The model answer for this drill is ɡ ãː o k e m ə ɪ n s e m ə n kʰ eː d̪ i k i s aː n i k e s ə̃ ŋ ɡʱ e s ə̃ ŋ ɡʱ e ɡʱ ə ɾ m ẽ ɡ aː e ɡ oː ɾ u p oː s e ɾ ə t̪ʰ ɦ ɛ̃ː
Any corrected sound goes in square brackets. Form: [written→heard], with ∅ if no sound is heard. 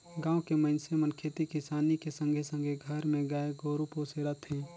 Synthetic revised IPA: ɡ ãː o k e m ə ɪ n s e m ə n kʰ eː [d̪→t̪] i k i s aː n i k e s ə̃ ŋ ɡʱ e s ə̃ ŋ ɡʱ e ɡʱ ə ɾ m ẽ ɡ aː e ɡ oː ɾ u p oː s e ɾ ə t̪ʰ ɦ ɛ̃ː